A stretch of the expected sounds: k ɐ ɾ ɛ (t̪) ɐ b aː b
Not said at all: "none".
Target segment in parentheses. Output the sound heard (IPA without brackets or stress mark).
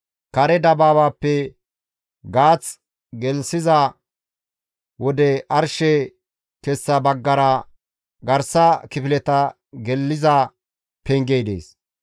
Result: d̪